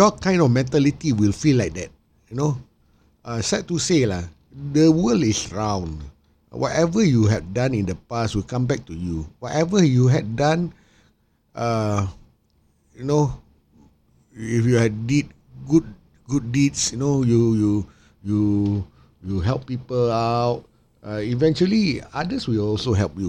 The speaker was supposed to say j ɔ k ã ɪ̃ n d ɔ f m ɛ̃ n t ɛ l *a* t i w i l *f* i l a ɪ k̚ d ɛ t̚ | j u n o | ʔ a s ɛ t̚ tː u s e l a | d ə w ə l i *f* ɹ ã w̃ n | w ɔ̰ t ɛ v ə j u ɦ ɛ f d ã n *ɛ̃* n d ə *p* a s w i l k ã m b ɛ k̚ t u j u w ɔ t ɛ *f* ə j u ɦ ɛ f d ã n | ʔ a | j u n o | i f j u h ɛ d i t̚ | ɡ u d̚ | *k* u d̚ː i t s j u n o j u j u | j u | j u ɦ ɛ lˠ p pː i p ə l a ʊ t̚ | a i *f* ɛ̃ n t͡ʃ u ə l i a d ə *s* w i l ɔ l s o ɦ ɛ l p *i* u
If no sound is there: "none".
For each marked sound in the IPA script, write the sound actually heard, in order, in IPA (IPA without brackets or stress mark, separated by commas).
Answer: i, f, s, ĩ, p, v, ɡ, v, s, j